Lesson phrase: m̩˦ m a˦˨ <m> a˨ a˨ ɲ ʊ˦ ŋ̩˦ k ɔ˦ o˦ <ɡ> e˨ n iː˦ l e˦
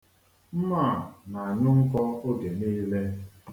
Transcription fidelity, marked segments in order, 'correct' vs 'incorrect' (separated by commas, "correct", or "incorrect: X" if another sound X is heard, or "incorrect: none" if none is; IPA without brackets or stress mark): incorrect: n, correct